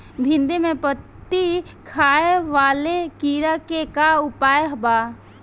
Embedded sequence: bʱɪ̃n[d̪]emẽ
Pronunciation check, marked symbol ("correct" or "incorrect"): correct